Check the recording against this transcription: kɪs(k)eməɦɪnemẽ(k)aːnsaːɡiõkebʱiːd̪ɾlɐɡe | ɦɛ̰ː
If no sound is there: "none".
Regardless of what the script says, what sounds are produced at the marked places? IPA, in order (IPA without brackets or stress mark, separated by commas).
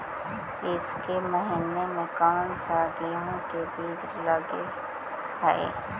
k, k